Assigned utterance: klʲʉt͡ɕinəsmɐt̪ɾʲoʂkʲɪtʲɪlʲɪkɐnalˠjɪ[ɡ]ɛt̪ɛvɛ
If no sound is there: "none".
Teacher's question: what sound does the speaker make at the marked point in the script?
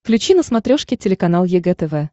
ɡ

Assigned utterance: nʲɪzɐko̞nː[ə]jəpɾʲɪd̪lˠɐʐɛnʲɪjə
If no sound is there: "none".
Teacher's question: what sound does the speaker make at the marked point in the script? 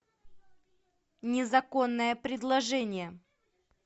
ə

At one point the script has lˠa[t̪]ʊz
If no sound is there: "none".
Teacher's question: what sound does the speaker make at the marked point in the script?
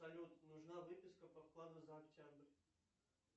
d̪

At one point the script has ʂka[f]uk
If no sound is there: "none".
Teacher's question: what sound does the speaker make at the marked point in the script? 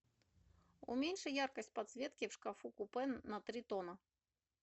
f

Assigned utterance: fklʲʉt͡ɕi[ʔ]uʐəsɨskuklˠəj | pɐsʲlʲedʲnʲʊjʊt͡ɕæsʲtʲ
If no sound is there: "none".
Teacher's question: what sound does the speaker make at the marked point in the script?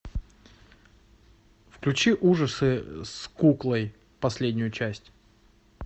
ʔ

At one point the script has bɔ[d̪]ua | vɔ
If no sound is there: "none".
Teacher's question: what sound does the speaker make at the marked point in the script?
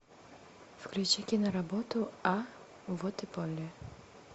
t̪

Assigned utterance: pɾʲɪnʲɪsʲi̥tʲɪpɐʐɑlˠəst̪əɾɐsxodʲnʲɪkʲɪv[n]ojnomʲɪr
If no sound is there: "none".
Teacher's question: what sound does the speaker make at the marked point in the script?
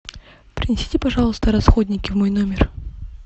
m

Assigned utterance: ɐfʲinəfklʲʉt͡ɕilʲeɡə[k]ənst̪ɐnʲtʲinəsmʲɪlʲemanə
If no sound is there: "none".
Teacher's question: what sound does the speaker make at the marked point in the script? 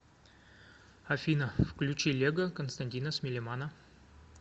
k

